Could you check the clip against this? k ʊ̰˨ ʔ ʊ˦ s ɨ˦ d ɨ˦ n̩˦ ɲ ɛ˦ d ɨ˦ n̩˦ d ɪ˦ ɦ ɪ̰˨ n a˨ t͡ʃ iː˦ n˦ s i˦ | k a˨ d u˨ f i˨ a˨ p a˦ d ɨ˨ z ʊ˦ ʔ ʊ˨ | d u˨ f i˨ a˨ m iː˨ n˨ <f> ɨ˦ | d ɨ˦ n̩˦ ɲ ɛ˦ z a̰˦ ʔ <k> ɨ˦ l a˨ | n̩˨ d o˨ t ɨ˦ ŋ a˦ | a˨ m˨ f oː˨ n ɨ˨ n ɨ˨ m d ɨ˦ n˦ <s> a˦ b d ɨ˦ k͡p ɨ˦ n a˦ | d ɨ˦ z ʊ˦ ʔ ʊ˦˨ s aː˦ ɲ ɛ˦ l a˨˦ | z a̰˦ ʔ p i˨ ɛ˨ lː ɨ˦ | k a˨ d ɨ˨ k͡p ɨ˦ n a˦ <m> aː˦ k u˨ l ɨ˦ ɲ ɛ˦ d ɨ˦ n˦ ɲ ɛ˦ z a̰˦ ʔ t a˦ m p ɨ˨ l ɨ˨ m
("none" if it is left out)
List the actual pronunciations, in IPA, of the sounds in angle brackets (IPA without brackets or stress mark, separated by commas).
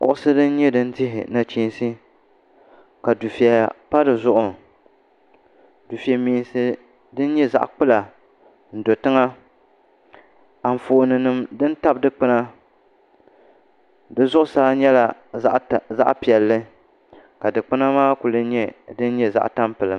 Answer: s, k͡p, t, m